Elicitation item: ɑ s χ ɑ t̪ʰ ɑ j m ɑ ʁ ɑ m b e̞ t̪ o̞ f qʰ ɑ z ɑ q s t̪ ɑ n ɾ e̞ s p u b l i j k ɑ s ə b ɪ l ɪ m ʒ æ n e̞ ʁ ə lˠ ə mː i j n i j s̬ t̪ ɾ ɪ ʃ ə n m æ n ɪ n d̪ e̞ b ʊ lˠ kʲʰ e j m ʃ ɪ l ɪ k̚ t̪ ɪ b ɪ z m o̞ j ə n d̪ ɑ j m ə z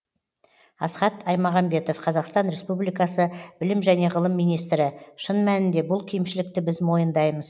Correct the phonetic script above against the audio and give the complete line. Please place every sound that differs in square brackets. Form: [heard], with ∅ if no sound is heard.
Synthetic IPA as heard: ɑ s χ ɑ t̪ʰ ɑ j m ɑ ʁ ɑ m b e̞ t̪ o̞ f qʰ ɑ z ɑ q s t̪ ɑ n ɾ e̞ s p u b l i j k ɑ s ə b ɪ l ɪ m ʒ æ n e̞ ʁ ə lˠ ə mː i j n i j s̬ t̪ ɾ ɪ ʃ ə n m æ n ɪ n d̪ e̞ b ʊ lˠ kʲʰ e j m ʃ ɪ l ɪ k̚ t̪ ɪ b ɪ z m o̞ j ə n d̪ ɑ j m ə z